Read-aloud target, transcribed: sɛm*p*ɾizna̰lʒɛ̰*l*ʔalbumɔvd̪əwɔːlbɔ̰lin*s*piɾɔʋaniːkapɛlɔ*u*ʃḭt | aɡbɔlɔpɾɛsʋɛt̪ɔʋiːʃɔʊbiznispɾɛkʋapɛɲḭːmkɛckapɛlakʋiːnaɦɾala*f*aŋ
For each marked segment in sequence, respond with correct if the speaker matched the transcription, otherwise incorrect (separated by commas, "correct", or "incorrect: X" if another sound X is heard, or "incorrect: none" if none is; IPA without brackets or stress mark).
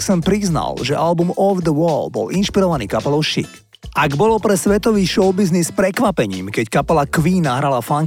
correct, incorrect: none, incorrect: ʃ, incorrect: ʊ, correct